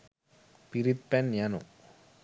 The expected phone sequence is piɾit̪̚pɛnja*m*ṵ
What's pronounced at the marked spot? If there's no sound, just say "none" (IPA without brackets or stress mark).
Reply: n